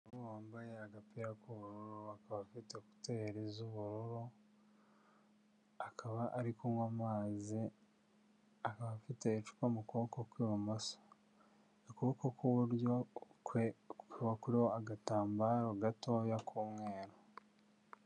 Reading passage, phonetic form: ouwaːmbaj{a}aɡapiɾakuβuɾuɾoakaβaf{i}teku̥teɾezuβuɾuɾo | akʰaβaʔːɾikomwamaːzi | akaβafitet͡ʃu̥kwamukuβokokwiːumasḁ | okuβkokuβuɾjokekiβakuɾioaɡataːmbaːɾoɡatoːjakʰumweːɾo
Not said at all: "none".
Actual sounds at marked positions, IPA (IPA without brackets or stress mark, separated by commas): e, i